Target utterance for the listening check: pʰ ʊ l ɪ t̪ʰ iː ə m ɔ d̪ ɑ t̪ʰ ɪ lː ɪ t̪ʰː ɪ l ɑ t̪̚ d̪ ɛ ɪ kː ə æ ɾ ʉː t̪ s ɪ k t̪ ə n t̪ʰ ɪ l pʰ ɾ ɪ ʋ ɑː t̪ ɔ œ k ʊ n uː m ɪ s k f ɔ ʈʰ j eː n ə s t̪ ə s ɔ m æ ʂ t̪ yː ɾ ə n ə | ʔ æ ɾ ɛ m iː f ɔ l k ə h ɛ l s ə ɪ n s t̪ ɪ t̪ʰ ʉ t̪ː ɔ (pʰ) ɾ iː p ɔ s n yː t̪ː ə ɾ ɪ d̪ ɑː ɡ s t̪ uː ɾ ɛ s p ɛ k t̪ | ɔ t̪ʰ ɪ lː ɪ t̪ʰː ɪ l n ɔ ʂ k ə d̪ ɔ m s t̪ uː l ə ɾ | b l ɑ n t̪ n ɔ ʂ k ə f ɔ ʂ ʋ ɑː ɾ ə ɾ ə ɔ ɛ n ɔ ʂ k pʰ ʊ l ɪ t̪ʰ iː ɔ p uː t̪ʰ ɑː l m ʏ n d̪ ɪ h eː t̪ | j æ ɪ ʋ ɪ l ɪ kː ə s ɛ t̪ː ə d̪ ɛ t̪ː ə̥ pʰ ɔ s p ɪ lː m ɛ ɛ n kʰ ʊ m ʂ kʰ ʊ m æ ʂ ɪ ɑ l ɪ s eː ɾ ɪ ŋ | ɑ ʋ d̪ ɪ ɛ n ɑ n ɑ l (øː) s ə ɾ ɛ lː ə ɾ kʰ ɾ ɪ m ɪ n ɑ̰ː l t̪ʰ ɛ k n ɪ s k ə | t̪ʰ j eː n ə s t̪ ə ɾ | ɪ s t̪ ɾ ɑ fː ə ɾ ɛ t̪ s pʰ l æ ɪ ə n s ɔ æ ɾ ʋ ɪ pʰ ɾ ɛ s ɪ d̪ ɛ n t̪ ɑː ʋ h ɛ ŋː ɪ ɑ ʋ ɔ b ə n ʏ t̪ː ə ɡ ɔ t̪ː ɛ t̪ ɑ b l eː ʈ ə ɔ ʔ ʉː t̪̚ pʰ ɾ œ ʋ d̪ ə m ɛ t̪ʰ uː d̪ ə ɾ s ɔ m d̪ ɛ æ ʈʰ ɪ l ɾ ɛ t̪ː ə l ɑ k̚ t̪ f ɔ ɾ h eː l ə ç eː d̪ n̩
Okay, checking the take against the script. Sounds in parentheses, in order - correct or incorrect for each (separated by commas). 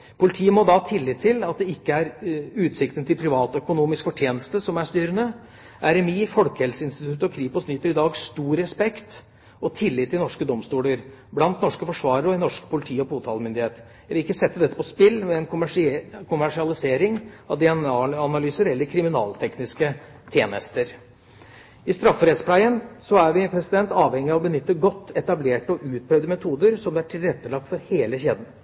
incorrect, incorrect